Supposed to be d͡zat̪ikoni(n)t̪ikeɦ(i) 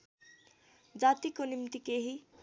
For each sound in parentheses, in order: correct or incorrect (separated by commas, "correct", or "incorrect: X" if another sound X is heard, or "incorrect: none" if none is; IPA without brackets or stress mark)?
incorrect: m, correct